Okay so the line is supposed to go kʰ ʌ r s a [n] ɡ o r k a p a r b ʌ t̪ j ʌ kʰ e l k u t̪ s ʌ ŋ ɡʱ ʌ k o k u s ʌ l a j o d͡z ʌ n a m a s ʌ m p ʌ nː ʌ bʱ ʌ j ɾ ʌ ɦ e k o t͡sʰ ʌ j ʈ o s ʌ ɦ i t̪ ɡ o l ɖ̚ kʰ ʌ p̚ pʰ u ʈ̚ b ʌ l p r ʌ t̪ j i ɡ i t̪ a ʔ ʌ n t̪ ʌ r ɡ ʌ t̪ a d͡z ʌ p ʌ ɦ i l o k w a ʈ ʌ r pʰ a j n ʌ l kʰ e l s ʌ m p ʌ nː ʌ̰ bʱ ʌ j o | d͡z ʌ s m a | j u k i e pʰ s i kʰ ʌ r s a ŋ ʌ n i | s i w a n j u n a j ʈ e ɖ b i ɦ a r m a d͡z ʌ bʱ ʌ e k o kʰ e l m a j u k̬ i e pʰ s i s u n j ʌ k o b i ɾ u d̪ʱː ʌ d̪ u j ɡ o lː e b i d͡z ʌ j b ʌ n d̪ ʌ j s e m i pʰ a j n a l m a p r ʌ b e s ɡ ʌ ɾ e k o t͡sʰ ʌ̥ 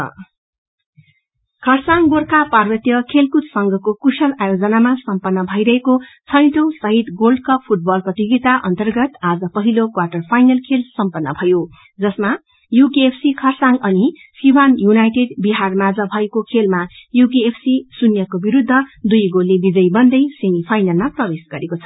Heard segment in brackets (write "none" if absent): ŋ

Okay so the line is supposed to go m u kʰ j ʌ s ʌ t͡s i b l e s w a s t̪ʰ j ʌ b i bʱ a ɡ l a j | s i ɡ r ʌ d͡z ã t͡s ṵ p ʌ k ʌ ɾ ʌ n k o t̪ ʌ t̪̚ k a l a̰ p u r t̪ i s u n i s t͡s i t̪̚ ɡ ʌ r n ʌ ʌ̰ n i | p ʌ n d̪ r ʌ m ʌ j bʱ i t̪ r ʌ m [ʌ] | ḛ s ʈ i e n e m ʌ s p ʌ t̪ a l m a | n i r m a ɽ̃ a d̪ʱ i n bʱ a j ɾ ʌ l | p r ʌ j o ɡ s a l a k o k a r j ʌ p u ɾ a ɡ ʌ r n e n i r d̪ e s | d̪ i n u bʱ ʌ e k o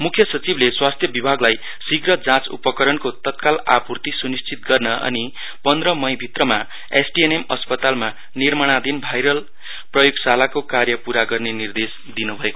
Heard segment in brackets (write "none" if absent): a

